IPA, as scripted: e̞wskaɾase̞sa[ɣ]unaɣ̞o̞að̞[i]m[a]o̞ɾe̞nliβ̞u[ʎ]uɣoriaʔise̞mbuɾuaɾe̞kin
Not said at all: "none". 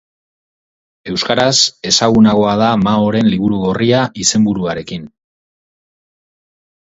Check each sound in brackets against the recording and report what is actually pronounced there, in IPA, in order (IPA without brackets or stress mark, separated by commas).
ɣ, a, a, ɾ